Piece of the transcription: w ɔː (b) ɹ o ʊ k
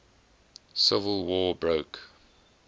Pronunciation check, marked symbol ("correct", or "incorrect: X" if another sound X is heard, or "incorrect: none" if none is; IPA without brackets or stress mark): correct